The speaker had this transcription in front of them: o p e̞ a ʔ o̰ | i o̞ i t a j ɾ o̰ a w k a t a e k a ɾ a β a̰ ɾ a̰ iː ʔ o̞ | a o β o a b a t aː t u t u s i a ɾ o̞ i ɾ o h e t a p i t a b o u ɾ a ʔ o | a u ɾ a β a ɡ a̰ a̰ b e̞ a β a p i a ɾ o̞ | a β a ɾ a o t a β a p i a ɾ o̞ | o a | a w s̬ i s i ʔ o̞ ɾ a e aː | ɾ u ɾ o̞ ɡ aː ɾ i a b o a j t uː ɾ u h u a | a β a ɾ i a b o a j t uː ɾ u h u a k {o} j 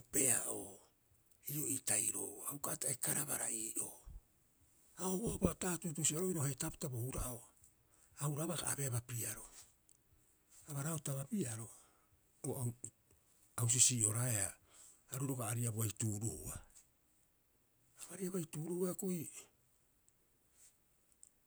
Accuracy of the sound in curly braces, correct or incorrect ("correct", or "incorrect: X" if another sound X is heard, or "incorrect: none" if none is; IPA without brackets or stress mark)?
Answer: correct